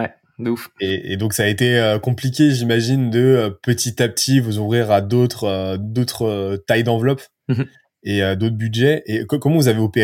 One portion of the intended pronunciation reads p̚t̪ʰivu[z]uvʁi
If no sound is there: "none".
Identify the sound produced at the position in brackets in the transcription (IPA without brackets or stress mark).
z